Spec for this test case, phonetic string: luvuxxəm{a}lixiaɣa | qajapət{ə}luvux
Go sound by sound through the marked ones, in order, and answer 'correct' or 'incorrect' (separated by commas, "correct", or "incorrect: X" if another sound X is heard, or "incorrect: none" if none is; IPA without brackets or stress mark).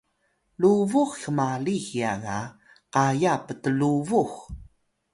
correct, correct